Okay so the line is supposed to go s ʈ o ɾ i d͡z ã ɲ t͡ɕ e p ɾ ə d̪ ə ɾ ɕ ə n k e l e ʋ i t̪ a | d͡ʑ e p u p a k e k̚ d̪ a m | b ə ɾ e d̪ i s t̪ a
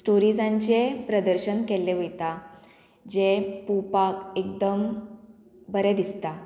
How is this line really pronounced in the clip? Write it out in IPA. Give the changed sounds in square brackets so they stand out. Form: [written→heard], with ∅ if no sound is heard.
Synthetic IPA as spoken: s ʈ o ɾ i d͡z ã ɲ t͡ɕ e p ɾ ə d̪ ə ɾ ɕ ə n k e l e ʋ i t̪ a | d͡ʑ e p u p a k e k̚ d̪ [a→ə] m | b ə ɾ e d̪ i s t̪ a

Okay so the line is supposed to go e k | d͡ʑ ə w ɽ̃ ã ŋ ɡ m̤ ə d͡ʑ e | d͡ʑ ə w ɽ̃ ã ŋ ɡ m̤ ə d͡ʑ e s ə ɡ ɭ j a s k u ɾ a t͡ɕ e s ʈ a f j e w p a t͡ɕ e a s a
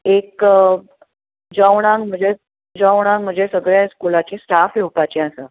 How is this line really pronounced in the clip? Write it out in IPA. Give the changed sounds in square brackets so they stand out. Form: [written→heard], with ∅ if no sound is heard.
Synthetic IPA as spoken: e k | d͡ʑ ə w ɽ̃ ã ŋ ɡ m̤ ə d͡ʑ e | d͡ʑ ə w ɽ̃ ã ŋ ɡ m̤ ə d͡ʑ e s ə ɡ ɭ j a s k u [ɾ→l] a t͡ɕ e s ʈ a f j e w p a t͡ɕ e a s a

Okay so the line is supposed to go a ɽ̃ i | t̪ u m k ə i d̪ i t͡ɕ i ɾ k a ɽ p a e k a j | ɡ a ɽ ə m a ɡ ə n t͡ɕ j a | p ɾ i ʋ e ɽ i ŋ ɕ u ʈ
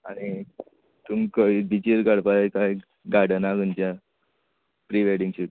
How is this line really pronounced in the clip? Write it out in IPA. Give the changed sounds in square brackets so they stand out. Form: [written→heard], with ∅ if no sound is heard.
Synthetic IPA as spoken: a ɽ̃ i | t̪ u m k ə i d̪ i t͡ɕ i ɾ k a ɽ p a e k a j | ɡ a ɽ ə [m→n] a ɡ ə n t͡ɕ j a | p ɾ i ʋ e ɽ i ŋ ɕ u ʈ

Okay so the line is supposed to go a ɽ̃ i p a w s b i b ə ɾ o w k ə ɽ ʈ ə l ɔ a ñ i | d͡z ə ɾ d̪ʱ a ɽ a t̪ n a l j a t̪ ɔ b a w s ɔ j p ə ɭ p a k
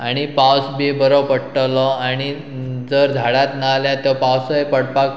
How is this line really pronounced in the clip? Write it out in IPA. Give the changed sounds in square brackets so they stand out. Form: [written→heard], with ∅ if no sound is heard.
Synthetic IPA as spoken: a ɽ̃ i p a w s b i b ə ɾ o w [k→p] ə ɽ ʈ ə l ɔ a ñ i | d͡z ə ɾ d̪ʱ a ɽ a t̪ n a l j a t̪ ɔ [b→p] a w s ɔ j p ə [ɭ→ɽ] p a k

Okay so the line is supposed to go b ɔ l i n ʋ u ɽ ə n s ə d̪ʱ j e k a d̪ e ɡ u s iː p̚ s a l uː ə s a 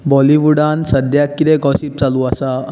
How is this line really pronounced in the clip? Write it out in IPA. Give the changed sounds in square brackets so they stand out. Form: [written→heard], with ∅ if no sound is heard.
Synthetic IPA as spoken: b ɔ l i [n→∅] ʋ u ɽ [ə→a] n s ə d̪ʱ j [e→a] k [a→i] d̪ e ɡ [u→ɔ] s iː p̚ [s→t͡s] a l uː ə s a

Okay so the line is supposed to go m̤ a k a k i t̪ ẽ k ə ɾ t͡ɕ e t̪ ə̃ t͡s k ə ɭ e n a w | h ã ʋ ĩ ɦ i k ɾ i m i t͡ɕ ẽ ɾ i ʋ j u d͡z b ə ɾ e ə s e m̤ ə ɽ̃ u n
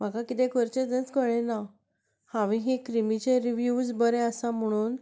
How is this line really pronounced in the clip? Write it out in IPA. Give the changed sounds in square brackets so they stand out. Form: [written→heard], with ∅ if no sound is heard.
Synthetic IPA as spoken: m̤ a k a k i t̪ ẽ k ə ɾ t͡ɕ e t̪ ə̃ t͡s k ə ɭ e n a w | h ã ʋ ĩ ɦ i k ɾ i m i t͡ɕ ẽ ɾ i ʋ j u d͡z b ə ɾ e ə s [e→a] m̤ ə ɽ̃ [u→uː] n

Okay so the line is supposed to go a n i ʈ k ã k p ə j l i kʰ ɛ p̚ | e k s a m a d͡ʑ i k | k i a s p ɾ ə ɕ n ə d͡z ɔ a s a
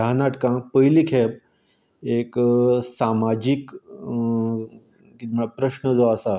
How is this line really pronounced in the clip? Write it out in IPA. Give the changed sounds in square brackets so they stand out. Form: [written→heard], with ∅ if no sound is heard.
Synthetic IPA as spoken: a n [i→a] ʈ k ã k p ə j l i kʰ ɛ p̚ | e k s a m a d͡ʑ i k | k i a [s→∅] p ɾ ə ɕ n ə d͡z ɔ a s a

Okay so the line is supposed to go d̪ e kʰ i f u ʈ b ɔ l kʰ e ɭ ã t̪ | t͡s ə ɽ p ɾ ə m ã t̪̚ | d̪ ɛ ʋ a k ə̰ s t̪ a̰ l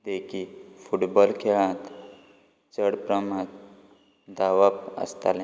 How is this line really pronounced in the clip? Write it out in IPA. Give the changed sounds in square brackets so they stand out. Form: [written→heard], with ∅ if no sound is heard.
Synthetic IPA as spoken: d̪ e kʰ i f u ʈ b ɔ l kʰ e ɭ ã t̪ | t͡s ə ɽ p ɾ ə m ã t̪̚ | d̪ [ɛ→a] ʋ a [k→p] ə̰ s t̪ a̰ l

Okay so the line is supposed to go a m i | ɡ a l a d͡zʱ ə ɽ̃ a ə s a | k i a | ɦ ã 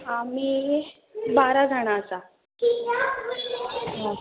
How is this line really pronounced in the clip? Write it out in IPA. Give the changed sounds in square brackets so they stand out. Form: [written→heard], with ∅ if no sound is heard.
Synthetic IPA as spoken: a m i | [ɡ→b] a [l→ɾ] a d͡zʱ [ə→a] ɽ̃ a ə s a | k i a | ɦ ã

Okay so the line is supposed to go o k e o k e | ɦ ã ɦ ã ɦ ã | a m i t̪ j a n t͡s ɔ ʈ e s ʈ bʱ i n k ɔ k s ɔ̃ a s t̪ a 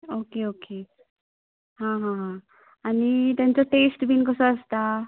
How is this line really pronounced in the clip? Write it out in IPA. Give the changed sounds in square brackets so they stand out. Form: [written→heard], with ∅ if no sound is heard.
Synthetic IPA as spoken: o k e o k e | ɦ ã ɦ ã ɦ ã | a [m→n] i t̪ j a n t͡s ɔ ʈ e s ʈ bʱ i n k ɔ [k→∅] s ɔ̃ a s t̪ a

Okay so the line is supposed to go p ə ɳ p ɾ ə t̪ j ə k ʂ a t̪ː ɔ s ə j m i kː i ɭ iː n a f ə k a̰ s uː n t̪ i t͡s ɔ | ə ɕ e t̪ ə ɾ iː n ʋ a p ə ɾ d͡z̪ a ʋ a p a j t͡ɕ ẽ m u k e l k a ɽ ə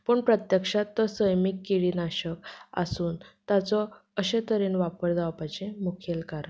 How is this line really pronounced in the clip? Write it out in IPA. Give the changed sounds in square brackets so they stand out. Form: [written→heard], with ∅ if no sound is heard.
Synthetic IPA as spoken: p ə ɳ p ɾ ə t̪ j ə k ʂ a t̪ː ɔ s ə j m i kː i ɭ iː n a [f→ɕ] ə k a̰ s uː n t̪ [i→a] t͡s ɔ | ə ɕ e t̪ ə ɾ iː n ʋ a p ə ɾ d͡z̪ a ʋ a p a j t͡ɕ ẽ m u [k→kʰ] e l k a [ɽ→ɾ] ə

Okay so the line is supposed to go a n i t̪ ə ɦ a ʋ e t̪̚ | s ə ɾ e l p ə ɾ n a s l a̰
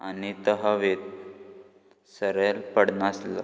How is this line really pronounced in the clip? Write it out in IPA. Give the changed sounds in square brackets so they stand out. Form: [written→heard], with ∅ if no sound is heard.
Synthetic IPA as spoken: a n i t̪ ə ɦ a ʋ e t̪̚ | s ə ɾ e l p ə [ɾ→ɽ] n a s l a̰

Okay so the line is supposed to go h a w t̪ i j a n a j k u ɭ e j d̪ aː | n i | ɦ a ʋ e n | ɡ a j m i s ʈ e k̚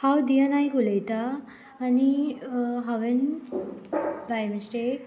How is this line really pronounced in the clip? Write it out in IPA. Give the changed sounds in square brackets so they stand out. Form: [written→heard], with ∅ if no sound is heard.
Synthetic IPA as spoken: h a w [t̪→d̪] i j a n a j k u [ɭ→l] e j [d̪→t̪] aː | n i | ɦ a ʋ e n | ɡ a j m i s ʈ e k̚

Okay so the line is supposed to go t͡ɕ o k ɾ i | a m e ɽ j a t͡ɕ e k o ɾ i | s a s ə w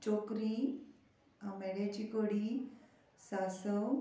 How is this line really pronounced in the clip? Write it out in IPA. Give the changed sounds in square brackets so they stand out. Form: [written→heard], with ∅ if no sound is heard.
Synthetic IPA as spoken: t͡ɕ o k ɾ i | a m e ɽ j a t͡ɕ [e→i] k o [ɾ→ɽ] i | s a s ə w

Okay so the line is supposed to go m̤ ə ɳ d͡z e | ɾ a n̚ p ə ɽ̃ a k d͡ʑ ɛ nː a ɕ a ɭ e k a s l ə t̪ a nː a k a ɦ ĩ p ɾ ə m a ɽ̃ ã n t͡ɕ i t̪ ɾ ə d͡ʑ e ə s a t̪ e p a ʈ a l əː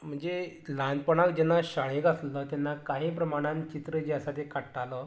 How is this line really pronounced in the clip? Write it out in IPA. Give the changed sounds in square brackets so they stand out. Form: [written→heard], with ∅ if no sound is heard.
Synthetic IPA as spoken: m̤ ə ɳ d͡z e | [ɾ→l] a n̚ p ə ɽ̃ a k d͡ʑ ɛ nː a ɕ a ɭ e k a s l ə t̪ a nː a k a ɦ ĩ p ɾ ə m a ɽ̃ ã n t͡ɕ i t̪ ɾ ə d͡ʑ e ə s a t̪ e [p→k] a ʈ a l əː

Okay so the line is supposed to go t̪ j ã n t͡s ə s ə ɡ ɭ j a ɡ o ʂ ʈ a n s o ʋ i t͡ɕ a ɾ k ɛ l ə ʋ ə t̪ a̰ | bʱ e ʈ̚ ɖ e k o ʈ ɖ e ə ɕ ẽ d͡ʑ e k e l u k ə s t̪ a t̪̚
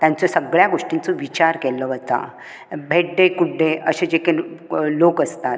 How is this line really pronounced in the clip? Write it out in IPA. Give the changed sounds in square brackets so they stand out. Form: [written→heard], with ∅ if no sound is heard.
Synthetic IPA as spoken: t̪ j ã n t͡s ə s ə ɡ ɭ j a ɡ o ʂ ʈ [a→i] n [s→t͡s] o ʋ i t͡ɕ a ɾ k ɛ l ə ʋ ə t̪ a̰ | bʱ e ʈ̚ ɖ e k [o→u] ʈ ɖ e ə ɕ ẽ d͡ʑ e k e l [u→o] k ə s t̪ a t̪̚

